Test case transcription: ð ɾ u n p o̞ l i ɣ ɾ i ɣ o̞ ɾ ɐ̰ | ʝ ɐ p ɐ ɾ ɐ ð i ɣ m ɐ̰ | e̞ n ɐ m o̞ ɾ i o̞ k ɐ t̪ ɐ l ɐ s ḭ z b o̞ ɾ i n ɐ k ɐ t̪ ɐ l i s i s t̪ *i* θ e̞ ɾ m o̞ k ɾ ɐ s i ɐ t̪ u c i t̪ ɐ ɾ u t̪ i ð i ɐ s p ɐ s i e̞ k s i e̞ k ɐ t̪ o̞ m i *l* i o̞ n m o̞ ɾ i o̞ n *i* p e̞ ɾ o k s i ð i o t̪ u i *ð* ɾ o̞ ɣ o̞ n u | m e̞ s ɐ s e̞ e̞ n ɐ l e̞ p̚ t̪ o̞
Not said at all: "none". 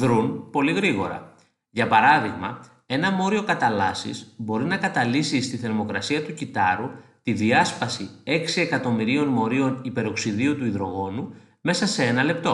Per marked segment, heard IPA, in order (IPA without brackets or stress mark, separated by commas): i, ɾ, i, ð